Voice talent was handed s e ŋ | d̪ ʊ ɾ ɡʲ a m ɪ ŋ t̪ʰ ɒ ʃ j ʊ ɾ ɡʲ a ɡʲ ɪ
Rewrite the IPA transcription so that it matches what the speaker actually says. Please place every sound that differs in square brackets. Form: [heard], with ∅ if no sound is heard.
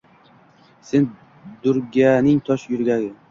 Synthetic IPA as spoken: s e [n] | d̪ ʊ ɾ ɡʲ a [n] ɪ ŋ t̪ʰ ɒ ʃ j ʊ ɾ ɡʲ a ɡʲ ɪ